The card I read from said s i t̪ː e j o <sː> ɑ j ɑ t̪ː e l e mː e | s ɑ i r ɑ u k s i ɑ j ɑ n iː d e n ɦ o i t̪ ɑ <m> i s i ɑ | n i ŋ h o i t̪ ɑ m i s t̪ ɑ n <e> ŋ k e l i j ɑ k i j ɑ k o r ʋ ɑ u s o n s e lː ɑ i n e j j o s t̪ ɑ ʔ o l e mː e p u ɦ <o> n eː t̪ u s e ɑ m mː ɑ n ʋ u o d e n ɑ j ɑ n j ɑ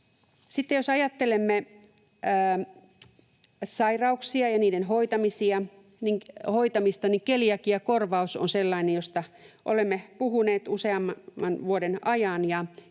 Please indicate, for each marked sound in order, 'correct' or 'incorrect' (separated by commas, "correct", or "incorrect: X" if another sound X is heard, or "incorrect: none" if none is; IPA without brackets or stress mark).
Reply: incorrect: s, correct, incorrect: i, incorrect: u